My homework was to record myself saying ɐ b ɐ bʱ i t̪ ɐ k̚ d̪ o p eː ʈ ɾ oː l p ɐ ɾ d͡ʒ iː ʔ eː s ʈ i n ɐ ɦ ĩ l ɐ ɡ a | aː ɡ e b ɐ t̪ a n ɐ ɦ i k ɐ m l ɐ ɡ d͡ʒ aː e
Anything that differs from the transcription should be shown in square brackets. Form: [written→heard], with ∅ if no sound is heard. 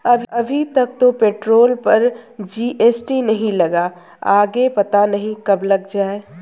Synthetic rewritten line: ɐ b ɐ bʱ i t̪ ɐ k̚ [d̪→t̪] o p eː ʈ ɾ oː l p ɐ ɾ d͡ʒ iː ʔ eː s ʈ i n ɐ ɦ ĩ l ɐ ɡ a | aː ɡ e [b→p] ɐ t̪ a n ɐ ɦ [i→ĩ] k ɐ [m→b] l ɐ ɡ d͡ʒ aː e